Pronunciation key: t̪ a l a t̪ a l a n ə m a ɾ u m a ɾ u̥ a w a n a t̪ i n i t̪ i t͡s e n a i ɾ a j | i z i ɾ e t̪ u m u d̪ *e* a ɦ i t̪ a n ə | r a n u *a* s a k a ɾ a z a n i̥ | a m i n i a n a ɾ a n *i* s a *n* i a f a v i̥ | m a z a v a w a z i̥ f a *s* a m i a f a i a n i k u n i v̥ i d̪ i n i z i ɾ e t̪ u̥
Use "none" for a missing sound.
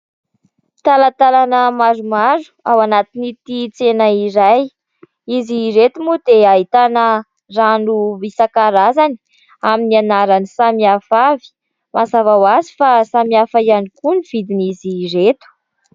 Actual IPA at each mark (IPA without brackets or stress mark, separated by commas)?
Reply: e, i, i, m, s